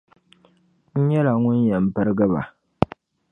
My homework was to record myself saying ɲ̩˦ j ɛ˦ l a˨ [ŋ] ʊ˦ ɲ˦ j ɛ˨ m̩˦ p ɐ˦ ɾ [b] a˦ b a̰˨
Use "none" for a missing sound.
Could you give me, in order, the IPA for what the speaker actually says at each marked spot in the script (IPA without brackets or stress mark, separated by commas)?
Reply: ŋ, ɡ